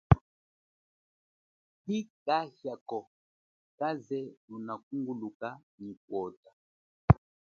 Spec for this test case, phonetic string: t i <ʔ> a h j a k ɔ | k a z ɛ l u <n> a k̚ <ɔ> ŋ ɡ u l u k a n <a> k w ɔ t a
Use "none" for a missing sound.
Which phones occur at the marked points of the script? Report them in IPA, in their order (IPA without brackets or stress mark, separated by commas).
k, n, u, i